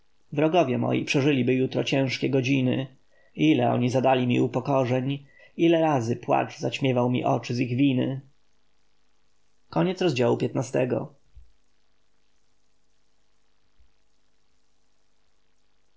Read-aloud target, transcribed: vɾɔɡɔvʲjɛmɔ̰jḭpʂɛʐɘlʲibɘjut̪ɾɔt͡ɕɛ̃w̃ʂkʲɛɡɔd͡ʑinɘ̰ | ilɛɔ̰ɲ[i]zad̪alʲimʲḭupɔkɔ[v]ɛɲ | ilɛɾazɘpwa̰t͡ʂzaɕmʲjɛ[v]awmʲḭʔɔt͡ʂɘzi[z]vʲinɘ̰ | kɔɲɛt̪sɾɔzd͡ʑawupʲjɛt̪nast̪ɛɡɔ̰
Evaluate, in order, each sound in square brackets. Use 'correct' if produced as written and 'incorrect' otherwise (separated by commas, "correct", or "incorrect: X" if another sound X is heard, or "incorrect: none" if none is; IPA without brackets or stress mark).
correct, incorrect: ʐ, correct, incorrect: ɣ